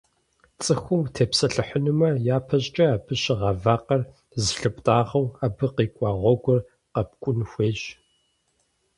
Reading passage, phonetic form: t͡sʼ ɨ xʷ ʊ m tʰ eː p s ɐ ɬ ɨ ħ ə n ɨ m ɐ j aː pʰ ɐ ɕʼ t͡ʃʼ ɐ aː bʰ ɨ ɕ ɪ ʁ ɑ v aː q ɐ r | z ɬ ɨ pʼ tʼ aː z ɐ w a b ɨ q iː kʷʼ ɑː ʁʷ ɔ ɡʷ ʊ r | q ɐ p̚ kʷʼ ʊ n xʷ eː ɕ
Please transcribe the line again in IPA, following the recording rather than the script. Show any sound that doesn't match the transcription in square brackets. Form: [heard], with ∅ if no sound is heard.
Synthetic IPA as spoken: t͡sʼ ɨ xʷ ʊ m tʰ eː p s ɐ ɬ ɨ ħ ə n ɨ m ɐ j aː pʰ ɐ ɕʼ t͡ʃʼ ɐ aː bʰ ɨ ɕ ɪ ʁ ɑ v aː q ɐ r | z ɬ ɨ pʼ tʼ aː [ʁ] ɐ w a b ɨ q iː kʷʼ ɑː ʁʷ ɔ ɡʷ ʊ r | q ɐ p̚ kʷʼ ʊ n xʷ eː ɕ